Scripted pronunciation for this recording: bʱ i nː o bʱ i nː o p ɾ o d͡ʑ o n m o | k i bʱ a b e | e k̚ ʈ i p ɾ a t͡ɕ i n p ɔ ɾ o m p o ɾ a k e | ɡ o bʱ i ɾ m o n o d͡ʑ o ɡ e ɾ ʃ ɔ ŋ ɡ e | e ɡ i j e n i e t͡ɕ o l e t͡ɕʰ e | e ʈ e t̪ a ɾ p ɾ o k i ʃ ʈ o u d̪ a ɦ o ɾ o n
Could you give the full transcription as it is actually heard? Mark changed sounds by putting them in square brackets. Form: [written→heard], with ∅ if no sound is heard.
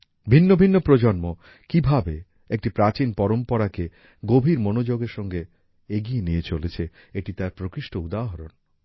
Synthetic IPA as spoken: bʱ i nː o bʱ i nː o p ɾ o d͡ʑ o n m o | k i bʱ a b e | e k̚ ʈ i p ɾ a t͡ɕ i n p ɔ ɾ o m p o ɾ a k e | ɡ o bʱ i ɾ m o n o d͡ʑ o ɡ e ɾ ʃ ɔ ŋ ɡ e | e ɡ i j e n i e t͡ɕ o l e t͡ɕʰ e | e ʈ [e→i] t̪ a ɾ p ɾ o k i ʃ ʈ o u d̪ a ɦ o ɾ o n